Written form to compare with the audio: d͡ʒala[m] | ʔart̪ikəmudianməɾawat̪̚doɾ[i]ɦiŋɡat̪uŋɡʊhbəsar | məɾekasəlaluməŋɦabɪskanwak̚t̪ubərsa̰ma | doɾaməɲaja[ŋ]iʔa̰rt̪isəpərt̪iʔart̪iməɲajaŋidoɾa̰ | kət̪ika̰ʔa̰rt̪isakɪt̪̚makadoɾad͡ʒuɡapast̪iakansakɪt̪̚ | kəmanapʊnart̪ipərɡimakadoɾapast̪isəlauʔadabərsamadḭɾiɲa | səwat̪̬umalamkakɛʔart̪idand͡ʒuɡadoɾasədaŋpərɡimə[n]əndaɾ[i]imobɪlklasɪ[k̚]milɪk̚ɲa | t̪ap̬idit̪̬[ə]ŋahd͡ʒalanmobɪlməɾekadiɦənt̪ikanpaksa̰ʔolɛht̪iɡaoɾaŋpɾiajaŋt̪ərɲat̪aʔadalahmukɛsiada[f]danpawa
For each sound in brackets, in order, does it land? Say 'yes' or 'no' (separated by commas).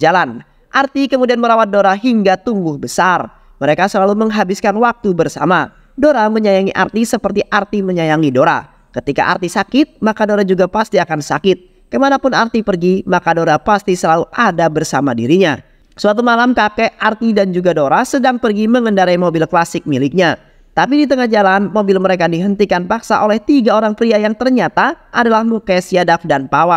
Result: no, no, yes, no, no, yes, yes, yes